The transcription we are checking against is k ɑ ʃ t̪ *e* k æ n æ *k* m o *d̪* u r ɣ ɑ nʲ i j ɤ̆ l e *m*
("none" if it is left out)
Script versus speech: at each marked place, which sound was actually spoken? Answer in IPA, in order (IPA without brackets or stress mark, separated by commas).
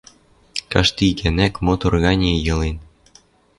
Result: i, k, t̪, n